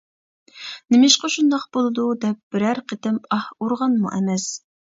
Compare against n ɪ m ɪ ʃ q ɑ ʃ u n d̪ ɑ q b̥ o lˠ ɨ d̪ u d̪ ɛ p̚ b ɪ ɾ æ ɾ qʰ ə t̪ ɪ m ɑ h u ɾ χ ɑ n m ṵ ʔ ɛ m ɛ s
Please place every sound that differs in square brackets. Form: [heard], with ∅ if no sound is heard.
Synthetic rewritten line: n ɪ m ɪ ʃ q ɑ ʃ u n d̪ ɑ q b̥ o lˠ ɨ d̪ u d̪ ɛ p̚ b ɪ ɾ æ ɾ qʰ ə t̪ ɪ m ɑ h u ɾ [ʁ] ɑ n m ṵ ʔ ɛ m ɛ s